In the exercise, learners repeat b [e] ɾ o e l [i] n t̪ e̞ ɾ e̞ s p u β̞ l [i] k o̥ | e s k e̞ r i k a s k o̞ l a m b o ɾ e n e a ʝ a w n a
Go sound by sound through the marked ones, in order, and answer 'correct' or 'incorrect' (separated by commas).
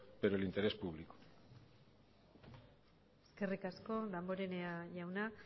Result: correct, correct, correct